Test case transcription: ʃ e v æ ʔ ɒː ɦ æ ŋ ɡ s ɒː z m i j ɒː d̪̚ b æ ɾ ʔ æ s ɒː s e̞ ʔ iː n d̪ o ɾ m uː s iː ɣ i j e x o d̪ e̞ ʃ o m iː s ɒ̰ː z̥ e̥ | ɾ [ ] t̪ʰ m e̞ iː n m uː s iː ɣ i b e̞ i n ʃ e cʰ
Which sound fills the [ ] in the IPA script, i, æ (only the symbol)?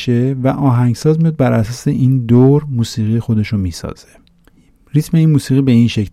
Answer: i